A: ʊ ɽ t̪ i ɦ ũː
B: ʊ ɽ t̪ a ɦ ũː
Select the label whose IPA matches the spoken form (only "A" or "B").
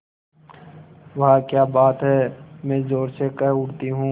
A